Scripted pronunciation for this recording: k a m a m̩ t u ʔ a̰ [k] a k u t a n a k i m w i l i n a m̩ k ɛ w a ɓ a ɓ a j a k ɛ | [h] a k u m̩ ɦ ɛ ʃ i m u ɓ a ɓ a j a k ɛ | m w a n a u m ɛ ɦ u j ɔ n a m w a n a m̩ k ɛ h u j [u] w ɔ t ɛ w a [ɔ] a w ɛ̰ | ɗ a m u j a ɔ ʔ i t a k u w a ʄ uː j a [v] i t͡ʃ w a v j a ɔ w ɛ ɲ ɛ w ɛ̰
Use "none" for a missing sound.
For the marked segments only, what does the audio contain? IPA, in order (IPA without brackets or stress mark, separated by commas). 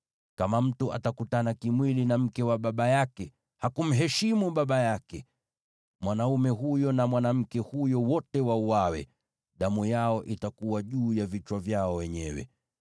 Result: t, h, ɔ, u, v